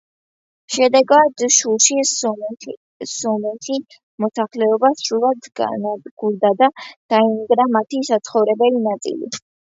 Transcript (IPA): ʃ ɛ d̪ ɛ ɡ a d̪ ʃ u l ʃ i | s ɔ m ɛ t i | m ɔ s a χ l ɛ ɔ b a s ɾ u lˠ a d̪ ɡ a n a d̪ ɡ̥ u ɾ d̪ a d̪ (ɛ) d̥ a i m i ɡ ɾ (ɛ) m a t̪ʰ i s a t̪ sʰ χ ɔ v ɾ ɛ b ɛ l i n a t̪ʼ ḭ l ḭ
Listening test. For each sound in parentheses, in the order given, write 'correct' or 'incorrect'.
incorrect, incorrect

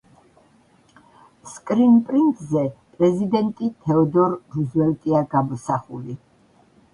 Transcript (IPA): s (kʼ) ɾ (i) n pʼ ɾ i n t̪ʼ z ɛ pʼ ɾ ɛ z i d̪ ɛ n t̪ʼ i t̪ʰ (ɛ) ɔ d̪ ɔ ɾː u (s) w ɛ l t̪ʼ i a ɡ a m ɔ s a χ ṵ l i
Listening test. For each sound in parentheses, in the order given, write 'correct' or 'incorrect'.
correct, correct, correct, incorrect

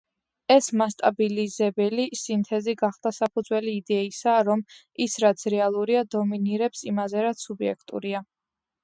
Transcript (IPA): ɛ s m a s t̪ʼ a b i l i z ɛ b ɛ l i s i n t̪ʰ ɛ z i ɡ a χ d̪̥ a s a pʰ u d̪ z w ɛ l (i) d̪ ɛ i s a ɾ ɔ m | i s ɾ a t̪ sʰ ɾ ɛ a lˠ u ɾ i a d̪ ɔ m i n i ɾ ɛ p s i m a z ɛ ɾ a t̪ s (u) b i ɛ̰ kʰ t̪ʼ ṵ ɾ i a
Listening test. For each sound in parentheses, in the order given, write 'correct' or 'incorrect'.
incorrect, correct

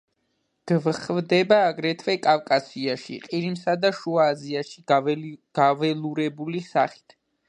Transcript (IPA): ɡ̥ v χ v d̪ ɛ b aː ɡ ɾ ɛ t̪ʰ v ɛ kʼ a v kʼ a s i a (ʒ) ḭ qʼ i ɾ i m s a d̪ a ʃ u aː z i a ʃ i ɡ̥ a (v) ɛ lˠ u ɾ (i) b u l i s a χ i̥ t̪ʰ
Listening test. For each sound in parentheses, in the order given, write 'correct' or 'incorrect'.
incorrect, correct, incorrect

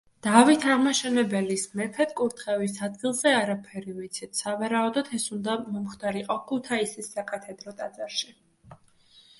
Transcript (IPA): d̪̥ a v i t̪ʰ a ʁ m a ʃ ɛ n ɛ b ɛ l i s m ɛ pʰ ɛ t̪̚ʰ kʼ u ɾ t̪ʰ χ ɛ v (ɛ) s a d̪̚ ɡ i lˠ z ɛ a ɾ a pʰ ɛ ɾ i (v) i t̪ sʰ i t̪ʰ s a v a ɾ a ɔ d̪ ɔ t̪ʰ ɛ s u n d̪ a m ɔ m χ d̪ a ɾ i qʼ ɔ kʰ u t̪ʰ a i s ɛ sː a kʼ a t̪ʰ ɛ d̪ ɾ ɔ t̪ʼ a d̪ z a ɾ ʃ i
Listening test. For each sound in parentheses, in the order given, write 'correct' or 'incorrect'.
incorrect, correct

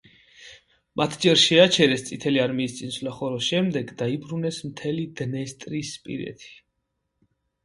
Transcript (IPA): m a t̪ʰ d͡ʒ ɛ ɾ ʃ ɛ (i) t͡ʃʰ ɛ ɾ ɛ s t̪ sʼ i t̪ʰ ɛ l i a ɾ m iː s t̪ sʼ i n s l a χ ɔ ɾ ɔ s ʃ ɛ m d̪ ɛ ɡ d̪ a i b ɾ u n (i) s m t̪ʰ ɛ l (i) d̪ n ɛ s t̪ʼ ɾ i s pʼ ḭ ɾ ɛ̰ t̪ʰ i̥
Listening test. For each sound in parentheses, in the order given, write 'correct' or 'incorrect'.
incorrect, incorrect, correct

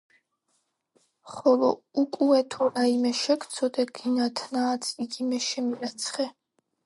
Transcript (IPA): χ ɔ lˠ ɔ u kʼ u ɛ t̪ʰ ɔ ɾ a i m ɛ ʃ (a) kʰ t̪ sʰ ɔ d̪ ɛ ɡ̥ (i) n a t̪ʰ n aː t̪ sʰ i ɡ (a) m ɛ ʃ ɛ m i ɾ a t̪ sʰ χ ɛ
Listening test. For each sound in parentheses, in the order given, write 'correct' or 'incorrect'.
incorrect, correct, incorrect

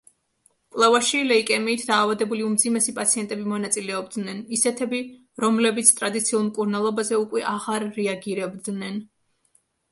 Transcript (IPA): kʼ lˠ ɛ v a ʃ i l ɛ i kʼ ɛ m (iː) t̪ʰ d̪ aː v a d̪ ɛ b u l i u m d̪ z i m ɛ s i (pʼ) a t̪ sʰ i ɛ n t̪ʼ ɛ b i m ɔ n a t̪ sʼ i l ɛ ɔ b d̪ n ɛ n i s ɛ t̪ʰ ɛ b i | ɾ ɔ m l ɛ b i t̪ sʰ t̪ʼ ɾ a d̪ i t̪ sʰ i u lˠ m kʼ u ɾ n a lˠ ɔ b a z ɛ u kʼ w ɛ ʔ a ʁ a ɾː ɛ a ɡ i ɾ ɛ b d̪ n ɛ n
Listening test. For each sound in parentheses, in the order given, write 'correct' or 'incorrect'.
correct, correct

